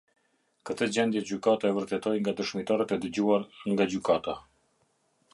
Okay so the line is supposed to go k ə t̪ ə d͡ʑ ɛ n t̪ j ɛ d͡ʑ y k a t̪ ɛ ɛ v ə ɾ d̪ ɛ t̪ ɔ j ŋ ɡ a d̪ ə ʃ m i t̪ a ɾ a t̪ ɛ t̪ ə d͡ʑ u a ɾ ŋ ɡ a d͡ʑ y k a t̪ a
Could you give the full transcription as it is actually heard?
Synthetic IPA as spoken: k ə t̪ ə d͡ʑ ɛ n d̪ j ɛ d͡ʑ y k a t̪ a ɛ v ə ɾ t̪ ɛ t̪ ɔ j ŋ ɡ a d̪ ə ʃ m i t̪ a ɾ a t̪ ɛ d̪ ə d͡ʑ u a ɾ ŋ ɡ a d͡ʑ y k a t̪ a